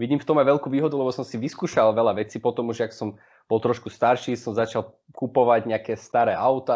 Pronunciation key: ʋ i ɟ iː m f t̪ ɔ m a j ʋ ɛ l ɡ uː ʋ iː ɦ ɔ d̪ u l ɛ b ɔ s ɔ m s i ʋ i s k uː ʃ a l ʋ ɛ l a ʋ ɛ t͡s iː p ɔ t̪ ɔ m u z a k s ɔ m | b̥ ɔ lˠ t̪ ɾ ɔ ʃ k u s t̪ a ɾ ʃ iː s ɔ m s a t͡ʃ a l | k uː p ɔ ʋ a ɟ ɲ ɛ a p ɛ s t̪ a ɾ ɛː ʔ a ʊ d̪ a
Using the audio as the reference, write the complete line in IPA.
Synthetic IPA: ʋ i ɟ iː m f t̪ ɔ m a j ʋ ɛ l k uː ʋ iː ɦ ɔ d̪ u l ɛ b ɔ s ɔ m s i ʋ i s k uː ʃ a l ʋ ɛ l a ʋ ɛ t͡s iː p ɔ t̪ ɔ m u ʒ a k s ɔ m | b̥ ɔ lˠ t̪ ɾ ɔ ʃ k u s t̪ a ɾ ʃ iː s ɔ m z a t͡ʃ a l | k u p ɔ ʋ a ɟ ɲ ɛ a k ɛ s t̪ a ɾ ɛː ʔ a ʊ t̪ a